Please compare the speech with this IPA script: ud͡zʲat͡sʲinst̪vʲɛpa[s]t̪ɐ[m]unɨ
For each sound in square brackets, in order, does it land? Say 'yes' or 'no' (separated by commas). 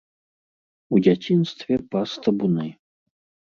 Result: yes, no